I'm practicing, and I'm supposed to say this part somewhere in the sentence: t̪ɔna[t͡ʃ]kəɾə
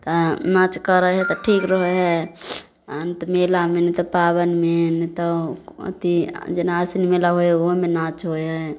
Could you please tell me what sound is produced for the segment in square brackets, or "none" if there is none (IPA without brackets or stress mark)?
t͡ʃ